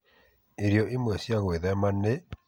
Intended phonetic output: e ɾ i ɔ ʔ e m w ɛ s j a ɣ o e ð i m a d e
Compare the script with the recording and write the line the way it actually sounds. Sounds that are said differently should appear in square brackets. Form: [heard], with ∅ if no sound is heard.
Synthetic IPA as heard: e ɾ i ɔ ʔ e m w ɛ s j a ɣ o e ð [ɛ] m a [n] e